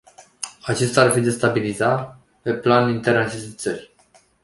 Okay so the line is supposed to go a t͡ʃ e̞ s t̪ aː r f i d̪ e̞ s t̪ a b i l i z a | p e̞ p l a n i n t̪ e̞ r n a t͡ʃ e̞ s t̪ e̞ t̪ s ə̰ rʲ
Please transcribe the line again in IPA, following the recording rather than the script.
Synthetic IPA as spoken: a t͡ʃ e̞ s t̪ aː r f i d̪ e̞ s t̪ a b i l i z a | p e̞ p l a n i n t̪ e̞ r n a t͡ʃ e̞ s t̪ e̞ t̪ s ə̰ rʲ